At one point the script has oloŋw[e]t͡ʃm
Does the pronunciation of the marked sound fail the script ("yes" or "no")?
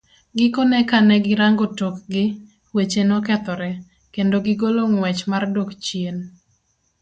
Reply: yes